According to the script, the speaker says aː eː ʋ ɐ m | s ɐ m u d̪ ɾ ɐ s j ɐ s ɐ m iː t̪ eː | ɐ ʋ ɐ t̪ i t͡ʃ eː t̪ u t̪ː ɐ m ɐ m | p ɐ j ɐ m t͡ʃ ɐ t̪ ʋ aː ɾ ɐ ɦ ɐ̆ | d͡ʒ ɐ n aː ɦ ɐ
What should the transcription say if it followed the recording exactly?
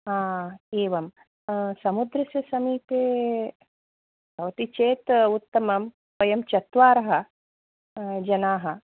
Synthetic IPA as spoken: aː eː ʋ ɐ m | s ɐ m u d̪ ɾ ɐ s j ɐ s ɐ m iː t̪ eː | ɐ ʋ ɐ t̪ i t͡ʃ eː t̪ u t̪ː ɐ m ɐ m | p ɐ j ɐ m t͡ʃ ɐ t̪ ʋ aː ɾ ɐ ɦ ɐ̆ | d͡ʒ ɐ n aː ɦ ɐ